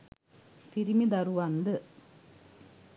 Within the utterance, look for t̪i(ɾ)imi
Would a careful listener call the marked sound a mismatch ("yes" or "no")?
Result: no